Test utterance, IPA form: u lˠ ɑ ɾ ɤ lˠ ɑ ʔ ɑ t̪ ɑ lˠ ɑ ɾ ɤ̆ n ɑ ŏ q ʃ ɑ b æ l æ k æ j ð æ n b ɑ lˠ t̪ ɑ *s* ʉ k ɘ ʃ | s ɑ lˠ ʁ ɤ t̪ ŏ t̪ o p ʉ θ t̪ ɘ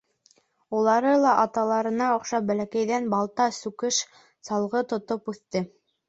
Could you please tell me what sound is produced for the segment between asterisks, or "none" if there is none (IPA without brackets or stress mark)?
s